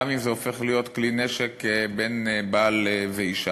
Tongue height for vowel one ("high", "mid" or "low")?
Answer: high